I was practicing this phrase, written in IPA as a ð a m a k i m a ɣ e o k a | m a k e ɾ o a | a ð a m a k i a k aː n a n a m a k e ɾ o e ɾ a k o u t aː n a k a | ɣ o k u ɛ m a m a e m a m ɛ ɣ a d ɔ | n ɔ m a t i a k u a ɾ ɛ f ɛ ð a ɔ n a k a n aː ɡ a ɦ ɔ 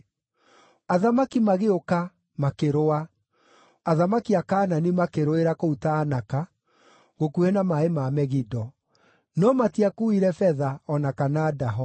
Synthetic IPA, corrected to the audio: a ð a m a k i m a ɣ e o k a | m a k e ɾ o a | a ð a m a k i a k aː n a n i m a k e ɾ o e ɾ a k o u t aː n a k a | ɣ o k u ɛ n a m a e m a m ɛ ɣ i d ɔ | n ɔ m a t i a k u i ɾ ɛ f ɛ ð a ɔ n a k a n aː d a ɦ ɔ

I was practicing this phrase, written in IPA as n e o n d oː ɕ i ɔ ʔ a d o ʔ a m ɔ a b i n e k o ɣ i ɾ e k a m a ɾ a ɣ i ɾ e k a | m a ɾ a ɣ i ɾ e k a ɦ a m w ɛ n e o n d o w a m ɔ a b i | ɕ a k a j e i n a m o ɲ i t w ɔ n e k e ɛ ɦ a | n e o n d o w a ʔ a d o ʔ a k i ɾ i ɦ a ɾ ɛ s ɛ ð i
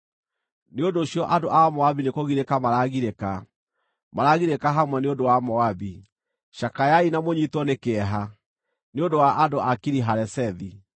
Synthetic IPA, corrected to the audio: n e o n d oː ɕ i ɔ ʔ a d o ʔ a m ɔ a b i n e k o ɣ i ɾ e k a m a ɾ a ɣ i ɾ e k a | m a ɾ a ɣ i ɾ e k a ɦ a m w ɛ n e o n d o w a m ɔ a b i | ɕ a k a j a i n a m o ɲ i t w ɔ n e k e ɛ ɦ a | n e o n d o w a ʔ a d o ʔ a k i ɾ i ɦ a ɾ ɛ s ɛ ð i

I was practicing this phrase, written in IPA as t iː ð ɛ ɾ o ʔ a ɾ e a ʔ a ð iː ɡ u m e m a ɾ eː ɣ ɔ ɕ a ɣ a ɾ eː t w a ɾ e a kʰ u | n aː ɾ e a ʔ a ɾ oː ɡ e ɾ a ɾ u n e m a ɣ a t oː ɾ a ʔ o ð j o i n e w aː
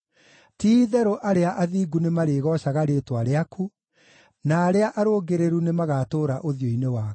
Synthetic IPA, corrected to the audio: t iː ð ɛ ɾ o ʔ a ɾ e a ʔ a ð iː ɡ u n e m a ɾ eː ɣ ɔ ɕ a ɣ a ɾ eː t w a ɾ e a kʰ u | n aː ɾ e a ʔ a ɾ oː ɡ e ɾ e ɾ u n e m a ɣ a t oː ɾ a ʔ o ð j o i n e w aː

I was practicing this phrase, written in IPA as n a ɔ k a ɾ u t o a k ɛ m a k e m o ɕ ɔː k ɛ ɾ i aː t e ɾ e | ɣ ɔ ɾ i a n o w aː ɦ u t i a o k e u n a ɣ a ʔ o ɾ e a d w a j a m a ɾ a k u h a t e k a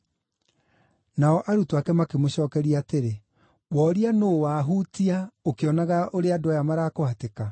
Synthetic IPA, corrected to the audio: n a ɔ ʔ a ɾ u t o a k ɛ m a k e m o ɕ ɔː k ɛ ɾ i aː t e ɾ e | w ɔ ɾ i a n o w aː ɦ u t i a o k e ɔ n a ɣ a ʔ o ɾ e a d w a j a m a ɾ a k o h a t e k a

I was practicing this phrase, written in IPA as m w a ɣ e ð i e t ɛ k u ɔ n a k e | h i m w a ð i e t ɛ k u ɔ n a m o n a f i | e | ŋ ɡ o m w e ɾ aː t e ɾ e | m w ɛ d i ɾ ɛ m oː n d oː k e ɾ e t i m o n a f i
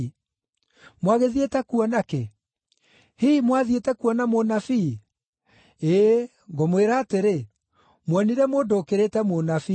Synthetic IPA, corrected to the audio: m w a ɣ e ð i e t ɛ k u ɔ n a k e | h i m w a ð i e t ɛ k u ɔ n a m o n a f i | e | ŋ ɡ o m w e ɾ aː t e ɾ e | m w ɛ n i ɾ ɛ m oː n d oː k e ɾ e t ɛ m o n a f i

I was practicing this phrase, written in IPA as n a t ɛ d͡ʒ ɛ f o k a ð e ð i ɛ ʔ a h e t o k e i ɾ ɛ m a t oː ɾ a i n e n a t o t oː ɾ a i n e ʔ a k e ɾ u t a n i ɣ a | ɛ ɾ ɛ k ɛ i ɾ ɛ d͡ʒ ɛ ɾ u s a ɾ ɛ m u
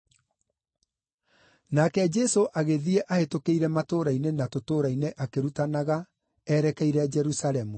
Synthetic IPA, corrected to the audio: n a k ɛ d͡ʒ ɛ s o ʔ a ɣ e ð i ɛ ʔ a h e t o k e i ɾ ɛ m a t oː ɾ a i n e n a t o t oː ɾ a i n e ʔ a k e ɾ u t a n a ɣ a | ɛ ɾ ɛ k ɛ i ɾ ɛ d͡ʒ ɛ ɾ u s a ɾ ɛ m u

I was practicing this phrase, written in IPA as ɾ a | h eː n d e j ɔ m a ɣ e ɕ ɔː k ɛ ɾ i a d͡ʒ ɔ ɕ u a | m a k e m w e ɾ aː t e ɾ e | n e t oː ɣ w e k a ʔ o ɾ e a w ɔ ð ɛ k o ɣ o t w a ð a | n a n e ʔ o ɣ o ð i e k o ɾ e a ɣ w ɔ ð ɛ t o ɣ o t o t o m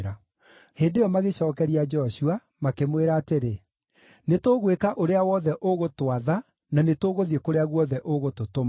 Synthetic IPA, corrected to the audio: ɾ a | h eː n d e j ɔ m a ɣ e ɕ ɔː k ɛ ɾ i a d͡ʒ ɔ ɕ u a | m a k e m w e ɾ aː t e ɾ e | n e t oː ɣ w e k a ʔ o ɾ e a w ɔ ð ɛ ʔ o ɣ o t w a ð a | n a n e t o ɣ o ð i e k o ɾ e a ɣ w ɔ ð ɛ ʔ o ɣ o t o t o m

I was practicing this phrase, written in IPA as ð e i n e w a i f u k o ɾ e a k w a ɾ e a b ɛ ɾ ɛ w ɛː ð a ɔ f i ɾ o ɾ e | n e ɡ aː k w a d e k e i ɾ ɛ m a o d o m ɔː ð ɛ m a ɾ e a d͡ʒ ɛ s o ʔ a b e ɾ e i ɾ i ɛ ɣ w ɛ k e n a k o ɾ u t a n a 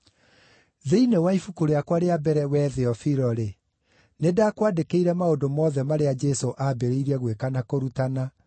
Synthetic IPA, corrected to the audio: ð e i n e w a i f u k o ɾ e a k w a ɾ e a b ɛ ɾ ɛ w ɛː ð e ɔ f i ɾ ɔ ɾ e | n e d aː k w a d e k e i ɾ ɛ m a o d o m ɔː ð ɛ m a ɾ e a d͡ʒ ɛ s o ʔ a b e ɾ e i ɾ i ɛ ɣ w e k a n a k o ɾ u t a n a

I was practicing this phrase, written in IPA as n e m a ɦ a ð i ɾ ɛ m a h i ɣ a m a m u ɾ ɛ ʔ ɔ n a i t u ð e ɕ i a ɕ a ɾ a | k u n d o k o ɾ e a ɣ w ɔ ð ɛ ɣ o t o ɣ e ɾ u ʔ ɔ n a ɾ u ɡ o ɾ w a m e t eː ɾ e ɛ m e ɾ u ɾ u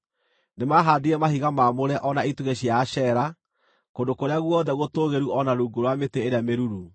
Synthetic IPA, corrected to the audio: n e m a ɦ a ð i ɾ ɛ m a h i ɣ a m a m o ɾ ɛ ʔ ɔ n a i t u ɣ e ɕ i a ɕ ɛ ɾ a | k o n d o k o ɾ e a ɣ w ɔ ð ɛ ɣ o t o ɣ e ɾ u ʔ ɔ n a ɾ u ɡ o ɾ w a m e t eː ɾ e a m e ɾ u ɾ u

